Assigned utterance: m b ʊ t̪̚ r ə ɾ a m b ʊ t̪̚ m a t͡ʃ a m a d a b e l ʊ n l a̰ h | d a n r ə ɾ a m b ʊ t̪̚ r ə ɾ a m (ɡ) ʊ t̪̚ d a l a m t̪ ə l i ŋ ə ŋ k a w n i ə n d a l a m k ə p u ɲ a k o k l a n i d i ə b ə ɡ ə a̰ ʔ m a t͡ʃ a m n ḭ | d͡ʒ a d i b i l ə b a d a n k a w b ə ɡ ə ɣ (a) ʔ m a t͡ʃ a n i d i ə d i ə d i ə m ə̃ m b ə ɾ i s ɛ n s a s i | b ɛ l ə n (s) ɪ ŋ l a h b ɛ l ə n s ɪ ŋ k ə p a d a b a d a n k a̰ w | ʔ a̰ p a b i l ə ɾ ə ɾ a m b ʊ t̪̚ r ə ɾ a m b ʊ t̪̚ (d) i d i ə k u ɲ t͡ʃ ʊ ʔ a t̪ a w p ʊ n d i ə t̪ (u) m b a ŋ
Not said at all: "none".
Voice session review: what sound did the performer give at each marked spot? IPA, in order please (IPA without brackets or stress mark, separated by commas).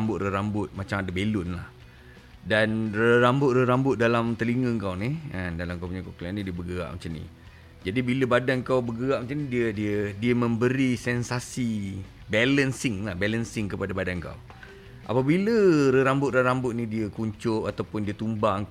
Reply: b, a, s, n, u